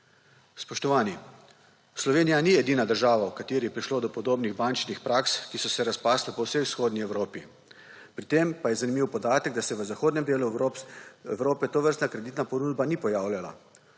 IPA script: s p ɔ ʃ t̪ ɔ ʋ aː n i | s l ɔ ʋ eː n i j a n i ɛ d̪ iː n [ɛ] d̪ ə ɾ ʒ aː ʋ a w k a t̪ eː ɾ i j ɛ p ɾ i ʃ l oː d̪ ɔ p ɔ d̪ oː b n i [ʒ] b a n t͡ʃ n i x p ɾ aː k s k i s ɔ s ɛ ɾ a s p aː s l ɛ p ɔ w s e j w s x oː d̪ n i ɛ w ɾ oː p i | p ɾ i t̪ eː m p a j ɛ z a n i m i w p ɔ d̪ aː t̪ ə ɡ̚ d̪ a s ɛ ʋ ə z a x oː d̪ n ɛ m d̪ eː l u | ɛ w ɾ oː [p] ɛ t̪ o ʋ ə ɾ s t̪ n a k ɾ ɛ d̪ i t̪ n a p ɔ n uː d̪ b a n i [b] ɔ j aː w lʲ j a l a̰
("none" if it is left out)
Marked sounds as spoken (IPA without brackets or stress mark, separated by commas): a, ɣ, p, p